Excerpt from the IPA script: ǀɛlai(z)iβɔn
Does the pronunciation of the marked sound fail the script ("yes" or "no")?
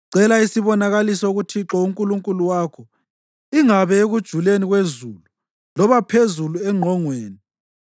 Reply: yes